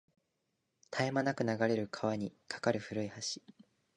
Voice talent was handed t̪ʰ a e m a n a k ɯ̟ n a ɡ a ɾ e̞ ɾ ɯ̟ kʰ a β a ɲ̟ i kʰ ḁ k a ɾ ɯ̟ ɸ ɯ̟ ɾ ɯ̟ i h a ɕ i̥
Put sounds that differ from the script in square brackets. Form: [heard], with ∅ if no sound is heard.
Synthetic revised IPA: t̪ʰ a e m a n a k ɯ̟ n a ɡ a ɾ e̞ ɾ ɯ̟ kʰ a β a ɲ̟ i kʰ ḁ k a ɾ ɯ̟ ɸ ɯ̟ ɾ ɯ̟ i h a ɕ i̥